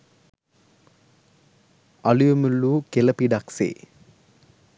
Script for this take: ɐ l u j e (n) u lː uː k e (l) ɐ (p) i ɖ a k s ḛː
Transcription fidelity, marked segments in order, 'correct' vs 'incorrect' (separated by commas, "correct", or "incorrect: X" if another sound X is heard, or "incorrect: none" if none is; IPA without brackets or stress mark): incorrect: m, correct, correct